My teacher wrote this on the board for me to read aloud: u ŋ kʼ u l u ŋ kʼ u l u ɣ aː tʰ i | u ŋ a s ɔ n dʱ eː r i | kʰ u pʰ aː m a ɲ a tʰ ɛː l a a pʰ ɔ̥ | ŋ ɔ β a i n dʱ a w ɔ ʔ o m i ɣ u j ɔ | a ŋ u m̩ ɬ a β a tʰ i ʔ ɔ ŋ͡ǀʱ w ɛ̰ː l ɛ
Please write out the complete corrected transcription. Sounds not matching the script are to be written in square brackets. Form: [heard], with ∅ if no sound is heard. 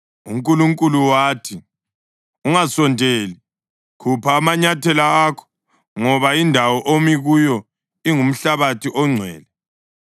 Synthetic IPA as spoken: u ŋ kʼ u l u ŋ kʼ u l u [w] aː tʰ i | u ŋ a s ɔ n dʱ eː [l] i | kʰ u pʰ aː m a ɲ a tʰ [ɛ] l a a [kʰ] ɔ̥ | ŋ ɔ β a i n dʱ a w ɔ ʔ o m i ɣ u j ɔ | [i] ŋ u m̩ ɬ a β a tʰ i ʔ ɔ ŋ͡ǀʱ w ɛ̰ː l ɛ